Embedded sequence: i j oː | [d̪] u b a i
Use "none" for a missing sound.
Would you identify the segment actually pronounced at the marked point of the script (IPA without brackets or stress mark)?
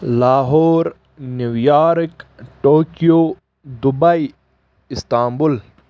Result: d̪